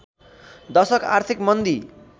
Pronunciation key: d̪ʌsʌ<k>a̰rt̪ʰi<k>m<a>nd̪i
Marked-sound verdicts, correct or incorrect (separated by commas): correct, correct, incorrect